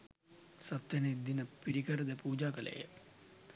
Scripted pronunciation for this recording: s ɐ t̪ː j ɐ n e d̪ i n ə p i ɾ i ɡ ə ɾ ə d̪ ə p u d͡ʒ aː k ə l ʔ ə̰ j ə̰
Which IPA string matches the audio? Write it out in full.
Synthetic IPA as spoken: s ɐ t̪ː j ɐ n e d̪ i n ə p i ɾ i k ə ɾ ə d̪ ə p uː d͡ʒ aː k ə l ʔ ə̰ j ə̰